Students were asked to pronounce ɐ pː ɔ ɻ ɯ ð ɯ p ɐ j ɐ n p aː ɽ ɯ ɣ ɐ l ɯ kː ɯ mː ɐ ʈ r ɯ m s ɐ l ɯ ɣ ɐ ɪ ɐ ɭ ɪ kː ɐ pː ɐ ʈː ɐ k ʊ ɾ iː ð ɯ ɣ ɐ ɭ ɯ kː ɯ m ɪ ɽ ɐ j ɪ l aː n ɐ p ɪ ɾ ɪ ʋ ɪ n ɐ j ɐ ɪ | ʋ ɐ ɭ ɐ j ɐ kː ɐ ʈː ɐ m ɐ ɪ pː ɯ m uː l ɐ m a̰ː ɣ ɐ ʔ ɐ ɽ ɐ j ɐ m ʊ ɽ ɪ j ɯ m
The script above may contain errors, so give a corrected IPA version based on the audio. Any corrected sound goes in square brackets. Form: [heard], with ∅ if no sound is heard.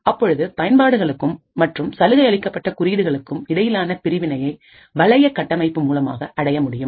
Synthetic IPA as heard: ɐ pː ɔ ɻ ɯ ð ɯ p ɐ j ɐ n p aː ɽ ɯ ɣ ɐ [ɭ] ɯ kː ɯ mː ɐ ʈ r ɯ m s ɐ l ɯ ɣ ɐ ɪ ɐ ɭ ɪ kː ɐ pː ɐ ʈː ɐ k ʊ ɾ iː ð ɯ ɣ ɐ ɭ ɯ kː ɯ m ɪ ɽ ɐ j ɪ l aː n ɐ p ɪ ɾ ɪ ʋ ɪ n ɐ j ɐ ɪ | ʋ ɐ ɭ ɐ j ɐ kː ɐ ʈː ɐ m ɐ ɪ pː ɯ m uː l ɐ m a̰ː ɣ ɐ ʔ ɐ ɽ ɐ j ɐ m ʊ ɽ ɪ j ɯ m